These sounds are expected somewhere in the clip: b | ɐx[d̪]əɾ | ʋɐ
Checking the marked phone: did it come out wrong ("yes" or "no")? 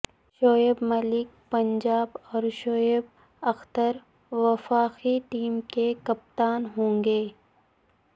yes